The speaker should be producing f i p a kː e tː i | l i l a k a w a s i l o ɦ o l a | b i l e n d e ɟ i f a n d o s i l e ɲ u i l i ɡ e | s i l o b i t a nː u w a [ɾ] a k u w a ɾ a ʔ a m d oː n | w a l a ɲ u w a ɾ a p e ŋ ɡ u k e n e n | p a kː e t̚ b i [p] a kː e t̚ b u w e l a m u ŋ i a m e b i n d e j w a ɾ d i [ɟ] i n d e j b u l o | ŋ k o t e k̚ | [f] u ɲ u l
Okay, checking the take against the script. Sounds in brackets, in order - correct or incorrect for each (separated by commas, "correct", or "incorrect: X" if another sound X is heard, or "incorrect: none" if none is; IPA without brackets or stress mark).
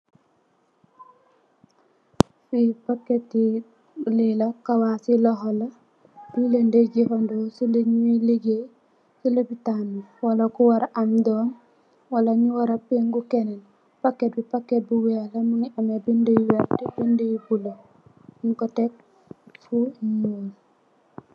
incorrect: l, correct, incorrect: b, correct